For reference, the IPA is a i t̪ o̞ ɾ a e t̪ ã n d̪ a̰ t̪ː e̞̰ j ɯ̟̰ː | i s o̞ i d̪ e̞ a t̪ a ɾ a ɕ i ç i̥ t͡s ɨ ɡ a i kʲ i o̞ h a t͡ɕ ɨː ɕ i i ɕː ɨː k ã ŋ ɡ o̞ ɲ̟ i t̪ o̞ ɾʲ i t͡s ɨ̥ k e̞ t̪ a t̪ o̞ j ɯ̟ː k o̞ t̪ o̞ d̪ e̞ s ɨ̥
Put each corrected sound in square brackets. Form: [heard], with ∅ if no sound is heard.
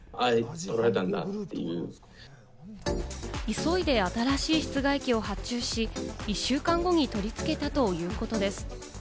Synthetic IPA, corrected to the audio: a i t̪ o̞ ɾ a e t̪ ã n d̪ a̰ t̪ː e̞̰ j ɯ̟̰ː | i s o̞ i d̪ e̞ a t̪ a ɾ a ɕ [iː] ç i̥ t͡s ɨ ɡ a i kʲ i o̞ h a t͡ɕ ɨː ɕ i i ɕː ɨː k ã ŋ ɡ o̞ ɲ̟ i t̪ o̞ ɾʲ i t͡s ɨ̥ k e̞ t̪ a t̪ o̞ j ɯ̟ː k o̞ t̪ o̞ d̪ e̞ s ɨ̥